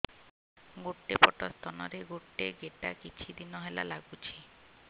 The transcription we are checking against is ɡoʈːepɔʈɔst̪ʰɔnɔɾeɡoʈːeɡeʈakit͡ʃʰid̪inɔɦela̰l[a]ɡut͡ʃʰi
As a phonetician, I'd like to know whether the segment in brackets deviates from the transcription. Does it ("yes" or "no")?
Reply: no